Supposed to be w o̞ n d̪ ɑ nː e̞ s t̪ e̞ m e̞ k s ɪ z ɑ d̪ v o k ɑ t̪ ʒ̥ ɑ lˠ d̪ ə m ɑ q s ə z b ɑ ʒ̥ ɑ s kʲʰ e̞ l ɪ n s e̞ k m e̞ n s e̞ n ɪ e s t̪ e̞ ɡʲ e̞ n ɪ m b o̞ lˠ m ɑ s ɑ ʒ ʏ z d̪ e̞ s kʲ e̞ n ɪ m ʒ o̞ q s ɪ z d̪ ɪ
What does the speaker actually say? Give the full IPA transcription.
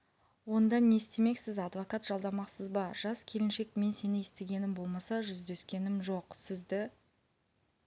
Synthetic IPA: w o̞ n d̪ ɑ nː e̞ s t̪ e̞ m e̞ k s ɪ z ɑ d̪ v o k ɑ t̪ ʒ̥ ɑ lˠ d̪ ɑ m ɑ q s ə z b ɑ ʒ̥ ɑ s kʲʰ e̞ l ɪ n ʃ e̞ k m e̞ n s e̞ n ɪ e s t̪ e̞ ɡʲ e̞ n ɪ m b o̞ lˠ m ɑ s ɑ ʒ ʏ z d̪ e̞ s kʲ e̞ n ɪ m ʒ o̞ q s ɪ z d̪ ɪ